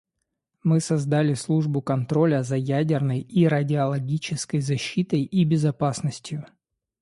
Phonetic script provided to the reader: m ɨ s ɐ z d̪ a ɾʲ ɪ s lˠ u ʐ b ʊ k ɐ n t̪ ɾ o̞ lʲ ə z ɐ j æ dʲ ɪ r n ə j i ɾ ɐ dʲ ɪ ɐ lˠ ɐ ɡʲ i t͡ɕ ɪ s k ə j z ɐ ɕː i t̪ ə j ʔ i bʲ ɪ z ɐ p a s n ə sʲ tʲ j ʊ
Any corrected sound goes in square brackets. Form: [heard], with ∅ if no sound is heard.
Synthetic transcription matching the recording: m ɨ s ɐ z d̪ a [lʲ] ɪ s lˠ u ʐ b ʊ k ɐ n t̪ ɾ o̞ lʲ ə z ɐ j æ dʲ ɪ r n ə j i ɾ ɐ dʲ ɪ ɐ lˠ ɐ ɡʲ i t͡ɕ ɪ s k ə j z ɐ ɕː i t̪ ə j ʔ i bʲ ɪ z ɐ p a s n ə sʲ tʲ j ʊ